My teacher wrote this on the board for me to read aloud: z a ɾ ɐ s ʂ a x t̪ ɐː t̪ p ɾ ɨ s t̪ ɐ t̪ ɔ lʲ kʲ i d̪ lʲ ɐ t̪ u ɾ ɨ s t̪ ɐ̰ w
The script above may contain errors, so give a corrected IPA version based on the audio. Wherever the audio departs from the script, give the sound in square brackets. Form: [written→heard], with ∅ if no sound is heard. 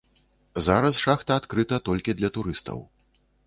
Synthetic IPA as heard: z a ɾ ɐ s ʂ a x t̪ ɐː t̪ [p→k] ɾ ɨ [s→∅] t̪ ɐ t̪ ɔ lʲ kʲ i d̪ lʲ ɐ t̪ u ɾ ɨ s t̪ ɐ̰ w